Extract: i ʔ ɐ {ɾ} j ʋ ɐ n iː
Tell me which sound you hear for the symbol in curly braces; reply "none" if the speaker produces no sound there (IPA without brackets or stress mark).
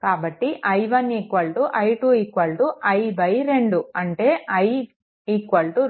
none